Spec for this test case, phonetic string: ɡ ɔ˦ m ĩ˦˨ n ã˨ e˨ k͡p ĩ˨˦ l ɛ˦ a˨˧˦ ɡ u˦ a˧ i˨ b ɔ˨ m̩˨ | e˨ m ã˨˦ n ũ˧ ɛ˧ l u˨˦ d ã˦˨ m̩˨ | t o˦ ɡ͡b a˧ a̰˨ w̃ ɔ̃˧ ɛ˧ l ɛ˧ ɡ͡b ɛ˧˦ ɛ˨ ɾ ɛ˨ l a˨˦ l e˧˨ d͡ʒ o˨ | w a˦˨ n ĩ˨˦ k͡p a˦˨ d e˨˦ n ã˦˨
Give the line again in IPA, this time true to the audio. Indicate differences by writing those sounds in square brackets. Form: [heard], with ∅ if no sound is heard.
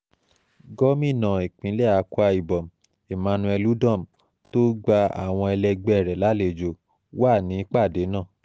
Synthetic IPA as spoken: ɡ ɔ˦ m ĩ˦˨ n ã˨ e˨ k͡p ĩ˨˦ l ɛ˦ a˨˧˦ [k] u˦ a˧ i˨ b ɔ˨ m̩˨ | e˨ m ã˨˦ n ũ˧ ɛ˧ l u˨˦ d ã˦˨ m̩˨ | t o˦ ɡ͡b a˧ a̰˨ w̃ ɔ̃˧ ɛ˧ l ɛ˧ ɡ͡b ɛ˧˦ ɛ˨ ɾ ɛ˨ l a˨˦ l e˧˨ d͡ʒ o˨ | w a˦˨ n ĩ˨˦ k͡p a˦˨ d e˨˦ n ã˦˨